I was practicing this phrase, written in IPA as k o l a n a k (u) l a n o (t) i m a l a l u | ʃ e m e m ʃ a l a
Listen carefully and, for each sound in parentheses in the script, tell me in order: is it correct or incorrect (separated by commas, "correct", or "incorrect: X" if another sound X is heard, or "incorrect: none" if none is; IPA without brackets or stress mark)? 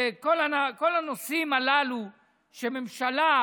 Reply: incorrect: o, incorrect: s